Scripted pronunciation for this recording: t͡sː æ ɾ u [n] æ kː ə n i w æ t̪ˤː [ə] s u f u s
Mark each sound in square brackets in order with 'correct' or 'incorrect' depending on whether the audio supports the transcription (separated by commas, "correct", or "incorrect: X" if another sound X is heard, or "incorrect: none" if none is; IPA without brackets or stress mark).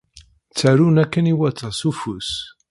correct, incorrect: ɑ